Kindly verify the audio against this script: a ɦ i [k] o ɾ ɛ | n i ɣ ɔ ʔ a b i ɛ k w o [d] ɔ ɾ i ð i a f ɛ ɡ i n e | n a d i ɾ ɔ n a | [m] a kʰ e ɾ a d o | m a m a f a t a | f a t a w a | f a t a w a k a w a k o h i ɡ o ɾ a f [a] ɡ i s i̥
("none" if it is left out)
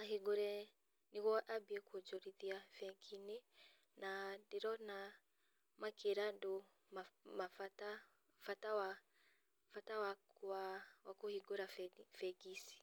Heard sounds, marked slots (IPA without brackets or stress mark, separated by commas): ɡ, d͡ʒ, m, ɛ